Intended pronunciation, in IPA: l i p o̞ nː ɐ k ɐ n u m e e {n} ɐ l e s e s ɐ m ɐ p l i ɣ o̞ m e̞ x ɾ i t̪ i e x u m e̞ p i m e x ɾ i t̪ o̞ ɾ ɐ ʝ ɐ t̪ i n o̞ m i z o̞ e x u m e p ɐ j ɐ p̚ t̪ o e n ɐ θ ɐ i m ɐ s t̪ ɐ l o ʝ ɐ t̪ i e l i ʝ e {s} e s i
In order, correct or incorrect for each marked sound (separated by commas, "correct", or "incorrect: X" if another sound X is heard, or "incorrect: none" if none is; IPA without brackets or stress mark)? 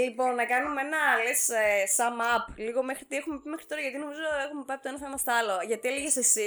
correct, correct